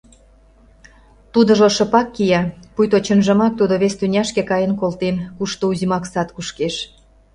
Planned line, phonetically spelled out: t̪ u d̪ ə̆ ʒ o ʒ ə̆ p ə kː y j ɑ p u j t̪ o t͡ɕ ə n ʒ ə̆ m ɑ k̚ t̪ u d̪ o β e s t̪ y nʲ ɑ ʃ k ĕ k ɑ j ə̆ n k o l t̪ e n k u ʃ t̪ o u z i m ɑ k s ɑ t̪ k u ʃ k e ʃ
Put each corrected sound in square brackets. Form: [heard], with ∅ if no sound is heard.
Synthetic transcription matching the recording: t̪ u d̪ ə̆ ʒ o [ʃ] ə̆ p [ɑ] kː [i] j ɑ p u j t̪ o t͡ɕ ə n ʒ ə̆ m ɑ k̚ t̪ u d̪ o β e s t̪ y nʲ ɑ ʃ k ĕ k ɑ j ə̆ n k o l t̪ e n k u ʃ t̪ o u z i m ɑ k s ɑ t̪ k u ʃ k e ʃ